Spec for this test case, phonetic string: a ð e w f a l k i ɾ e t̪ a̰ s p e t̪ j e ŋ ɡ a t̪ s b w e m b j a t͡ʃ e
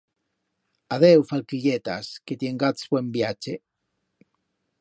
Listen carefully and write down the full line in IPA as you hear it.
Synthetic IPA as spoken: a ð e w f a l k i ʎ e t̪ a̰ s k e t̪ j e ŋ ɡ a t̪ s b w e m b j a t͡ʃ e